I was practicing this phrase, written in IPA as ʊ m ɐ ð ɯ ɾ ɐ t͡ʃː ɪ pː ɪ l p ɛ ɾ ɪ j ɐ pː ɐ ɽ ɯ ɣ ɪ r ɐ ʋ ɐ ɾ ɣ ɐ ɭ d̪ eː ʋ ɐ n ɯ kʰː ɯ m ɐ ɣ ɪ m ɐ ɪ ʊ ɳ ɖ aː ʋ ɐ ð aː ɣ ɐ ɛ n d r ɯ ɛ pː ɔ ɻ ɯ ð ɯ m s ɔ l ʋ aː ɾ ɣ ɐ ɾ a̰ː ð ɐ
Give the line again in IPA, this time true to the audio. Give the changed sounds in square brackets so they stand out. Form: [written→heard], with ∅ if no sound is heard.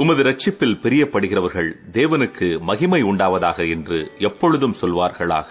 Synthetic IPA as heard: ʊ m ɐ ð ɯ ɾ ɐ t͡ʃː ɪ pː ɪ l p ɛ ɾ ɪ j ɐ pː ɐ ɽ ɯ ɣ ɪ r ɐ ʋ ɐ ɾ ɣ ɐ ɭ d̪ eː ʋ ɐ n ɯ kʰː ɯ m ɐ ɣ ɪ m ɐ ɪ ʊ ɳ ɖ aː ʋ ɐ ð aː ɣ ɐ ɛ n d r ɯ ɛ pː ɔ ɻ ɯ ð ɯ m s ɔ l ʋ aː ɾ ɣ ɐ [ɾ→ɭ] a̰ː [ð→ɣ] ɐ